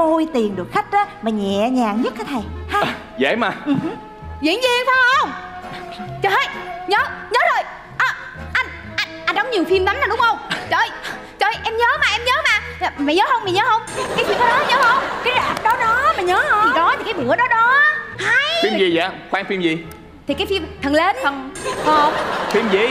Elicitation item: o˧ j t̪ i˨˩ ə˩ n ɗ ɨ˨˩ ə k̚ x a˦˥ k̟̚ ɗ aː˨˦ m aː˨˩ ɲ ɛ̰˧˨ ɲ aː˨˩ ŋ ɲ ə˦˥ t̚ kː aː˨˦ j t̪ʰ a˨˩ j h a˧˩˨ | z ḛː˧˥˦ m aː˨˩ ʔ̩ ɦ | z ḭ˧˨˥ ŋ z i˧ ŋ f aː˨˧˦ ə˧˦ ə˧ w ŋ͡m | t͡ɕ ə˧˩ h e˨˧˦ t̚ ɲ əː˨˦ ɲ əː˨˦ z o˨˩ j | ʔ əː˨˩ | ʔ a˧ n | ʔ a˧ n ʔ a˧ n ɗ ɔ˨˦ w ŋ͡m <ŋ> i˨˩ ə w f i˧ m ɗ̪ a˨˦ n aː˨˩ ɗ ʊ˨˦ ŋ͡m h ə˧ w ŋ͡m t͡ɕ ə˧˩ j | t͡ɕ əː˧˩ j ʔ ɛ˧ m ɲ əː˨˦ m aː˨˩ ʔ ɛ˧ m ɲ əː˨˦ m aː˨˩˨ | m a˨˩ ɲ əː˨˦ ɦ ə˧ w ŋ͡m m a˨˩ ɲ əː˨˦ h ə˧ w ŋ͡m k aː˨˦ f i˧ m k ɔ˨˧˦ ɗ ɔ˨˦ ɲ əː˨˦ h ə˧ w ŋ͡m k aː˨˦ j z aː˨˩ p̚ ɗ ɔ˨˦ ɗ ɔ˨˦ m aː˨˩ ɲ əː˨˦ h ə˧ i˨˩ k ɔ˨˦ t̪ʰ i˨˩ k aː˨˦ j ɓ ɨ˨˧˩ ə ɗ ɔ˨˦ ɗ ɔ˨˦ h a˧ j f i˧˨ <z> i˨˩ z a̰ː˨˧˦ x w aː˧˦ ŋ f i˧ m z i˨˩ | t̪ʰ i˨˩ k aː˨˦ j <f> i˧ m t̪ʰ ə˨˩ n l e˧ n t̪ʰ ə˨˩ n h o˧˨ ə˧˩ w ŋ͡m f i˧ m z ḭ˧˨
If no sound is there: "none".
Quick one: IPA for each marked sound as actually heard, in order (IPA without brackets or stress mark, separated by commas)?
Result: ɲ, z, f